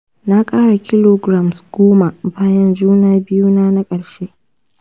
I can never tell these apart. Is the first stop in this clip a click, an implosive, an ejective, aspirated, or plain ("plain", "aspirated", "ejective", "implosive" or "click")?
ejective